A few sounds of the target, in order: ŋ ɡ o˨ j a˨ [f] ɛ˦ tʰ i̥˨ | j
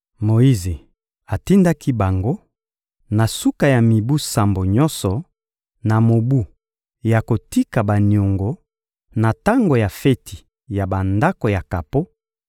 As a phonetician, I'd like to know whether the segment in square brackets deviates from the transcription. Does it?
no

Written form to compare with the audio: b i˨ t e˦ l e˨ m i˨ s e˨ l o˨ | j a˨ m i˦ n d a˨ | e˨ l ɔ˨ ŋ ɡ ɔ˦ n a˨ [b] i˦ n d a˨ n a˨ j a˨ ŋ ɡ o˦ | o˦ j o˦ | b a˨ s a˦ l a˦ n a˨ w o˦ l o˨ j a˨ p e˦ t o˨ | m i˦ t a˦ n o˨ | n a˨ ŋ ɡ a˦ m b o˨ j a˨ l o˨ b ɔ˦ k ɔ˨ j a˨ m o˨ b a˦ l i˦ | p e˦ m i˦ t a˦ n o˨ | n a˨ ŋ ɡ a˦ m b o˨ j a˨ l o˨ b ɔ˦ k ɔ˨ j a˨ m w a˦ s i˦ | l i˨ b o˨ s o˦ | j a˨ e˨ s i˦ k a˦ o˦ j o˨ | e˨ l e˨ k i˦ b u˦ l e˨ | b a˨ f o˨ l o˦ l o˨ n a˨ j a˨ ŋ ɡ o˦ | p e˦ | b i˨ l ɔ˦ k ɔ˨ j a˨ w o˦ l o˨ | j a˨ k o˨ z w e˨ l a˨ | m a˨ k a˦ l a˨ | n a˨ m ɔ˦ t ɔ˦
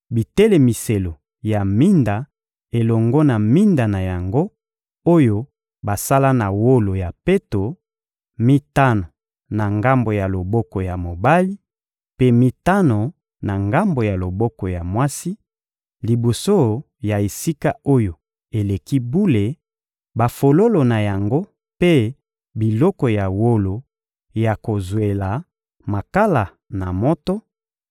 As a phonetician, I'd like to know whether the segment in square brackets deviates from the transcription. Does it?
yes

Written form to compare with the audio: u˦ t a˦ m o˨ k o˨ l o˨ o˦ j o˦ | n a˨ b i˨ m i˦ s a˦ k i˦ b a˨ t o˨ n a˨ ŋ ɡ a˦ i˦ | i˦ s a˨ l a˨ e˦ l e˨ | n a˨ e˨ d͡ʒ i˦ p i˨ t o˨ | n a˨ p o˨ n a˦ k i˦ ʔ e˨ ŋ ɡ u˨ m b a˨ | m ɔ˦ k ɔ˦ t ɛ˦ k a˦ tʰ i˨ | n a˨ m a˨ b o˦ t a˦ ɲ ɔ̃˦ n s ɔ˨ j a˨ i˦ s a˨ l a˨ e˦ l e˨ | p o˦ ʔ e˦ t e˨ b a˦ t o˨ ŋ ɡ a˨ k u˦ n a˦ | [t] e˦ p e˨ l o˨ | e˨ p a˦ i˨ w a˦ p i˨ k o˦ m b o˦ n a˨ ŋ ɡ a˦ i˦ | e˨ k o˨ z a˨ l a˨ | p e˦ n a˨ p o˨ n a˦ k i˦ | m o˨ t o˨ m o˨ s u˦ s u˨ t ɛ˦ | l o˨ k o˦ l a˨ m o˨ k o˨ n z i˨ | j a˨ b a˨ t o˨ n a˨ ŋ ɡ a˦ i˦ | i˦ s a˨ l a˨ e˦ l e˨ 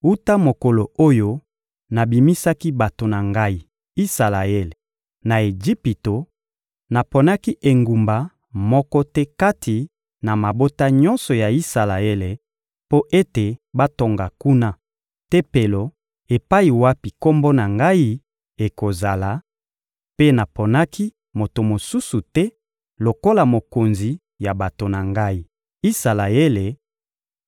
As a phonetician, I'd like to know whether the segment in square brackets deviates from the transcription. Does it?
no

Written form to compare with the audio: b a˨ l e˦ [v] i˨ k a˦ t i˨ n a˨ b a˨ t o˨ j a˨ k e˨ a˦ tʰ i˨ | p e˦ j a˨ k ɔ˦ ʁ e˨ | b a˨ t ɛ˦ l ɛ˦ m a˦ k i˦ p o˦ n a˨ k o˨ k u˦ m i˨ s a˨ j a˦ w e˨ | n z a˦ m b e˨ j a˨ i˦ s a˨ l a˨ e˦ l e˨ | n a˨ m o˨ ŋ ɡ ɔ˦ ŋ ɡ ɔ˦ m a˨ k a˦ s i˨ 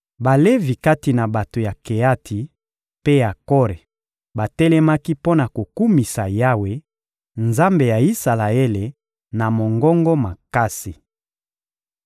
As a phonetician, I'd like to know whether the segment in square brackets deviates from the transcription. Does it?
no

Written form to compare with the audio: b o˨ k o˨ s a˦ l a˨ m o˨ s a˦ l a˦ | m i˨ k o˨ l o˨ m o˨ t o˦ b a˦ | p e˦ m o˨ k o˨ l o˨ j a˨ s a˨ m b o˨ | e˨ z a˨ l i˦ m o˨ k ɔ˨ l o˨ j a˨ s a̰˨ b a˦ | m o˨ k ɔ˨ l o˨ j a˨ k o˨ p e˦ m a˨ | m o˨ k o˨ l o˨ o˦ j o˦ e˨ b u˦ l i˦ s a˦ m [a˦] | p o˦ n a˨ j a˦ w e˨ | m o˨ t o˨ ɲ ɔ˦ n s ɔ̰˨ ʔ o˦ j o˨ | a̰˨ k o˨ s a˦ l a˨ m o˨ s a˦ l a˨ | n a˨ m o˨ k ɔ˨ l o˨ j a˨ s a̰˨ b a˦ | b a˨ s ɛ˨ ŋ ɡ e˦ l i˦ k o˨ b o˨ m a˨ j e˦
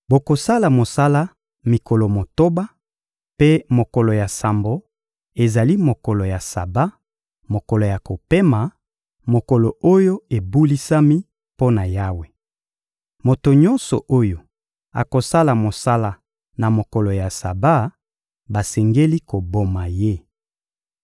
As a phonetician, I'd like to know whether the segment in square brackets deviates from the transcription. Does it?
yes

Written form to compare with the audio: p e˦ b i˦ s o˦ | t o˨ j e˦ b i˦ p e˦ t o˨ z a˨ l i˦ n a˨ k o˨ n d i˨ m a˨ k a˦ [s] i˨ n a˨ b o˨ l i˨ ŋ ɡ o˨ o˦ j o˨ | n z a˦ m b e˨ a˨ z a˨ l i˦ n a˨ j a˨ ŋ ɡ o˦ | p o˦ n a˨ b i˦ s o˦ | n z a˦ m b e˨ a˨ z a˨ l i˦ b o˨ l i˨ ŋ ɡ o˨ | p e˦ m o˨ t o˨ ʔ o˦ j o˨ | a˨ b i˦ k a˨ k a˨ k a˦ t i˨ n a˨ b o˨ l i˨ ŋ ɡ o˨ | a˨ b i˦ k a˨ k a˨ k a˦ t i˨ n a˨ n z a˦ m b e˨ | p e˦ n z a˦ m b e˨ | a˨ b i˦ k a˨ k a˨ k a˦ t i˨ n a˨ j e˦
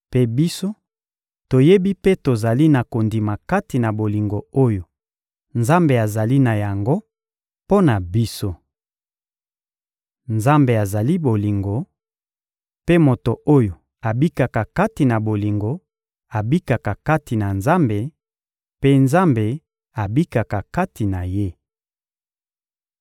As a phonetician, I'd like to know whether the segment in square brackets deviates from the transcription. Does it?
yes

